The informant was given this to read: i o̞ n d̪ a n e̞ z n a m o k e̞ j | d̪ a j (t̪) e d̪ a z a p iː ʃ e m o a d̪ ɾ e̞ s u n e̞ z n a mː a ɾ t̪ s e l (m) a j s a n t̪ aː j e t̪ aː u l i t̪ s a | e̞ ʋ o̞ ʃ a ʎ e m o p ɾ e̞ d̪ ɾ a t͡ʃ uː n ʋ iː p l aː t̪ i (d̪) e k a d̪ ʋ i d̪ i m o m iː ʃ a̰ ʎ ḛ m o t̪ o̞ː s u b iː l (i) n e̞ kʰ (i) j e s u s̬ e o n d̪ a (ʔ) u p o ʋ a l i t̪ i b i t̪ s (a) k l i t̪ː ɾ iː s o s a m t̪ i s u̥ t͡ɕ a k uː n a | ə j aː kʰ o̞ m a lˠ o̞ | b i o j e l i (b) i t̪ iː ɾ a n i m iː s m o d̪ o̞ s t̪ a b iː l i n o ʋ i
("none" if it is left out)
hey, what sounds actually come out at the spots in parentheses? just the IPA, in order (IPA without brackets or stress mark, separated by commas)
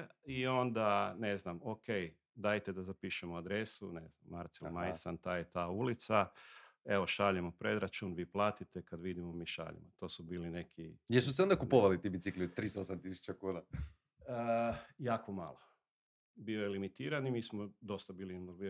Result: t̪, m, t̪, i, i, k, i, m